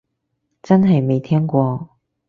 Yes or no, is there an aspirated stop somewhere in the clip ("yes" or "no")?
yes